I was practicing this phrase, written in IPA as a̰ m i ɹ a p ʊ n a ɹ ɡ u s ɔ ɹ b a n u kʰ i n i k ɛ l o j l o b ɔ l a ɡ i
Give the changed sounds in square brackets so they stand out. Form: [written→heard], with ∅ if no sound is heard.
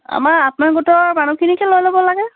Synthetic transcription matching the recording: a̰ m [i→a] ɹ a p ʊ n a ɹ ɡ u [s→t] ɔ ɹ [b→m] a n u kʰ i n i k ɛ l o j l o b ɔ l a ɡ [i→ɛ]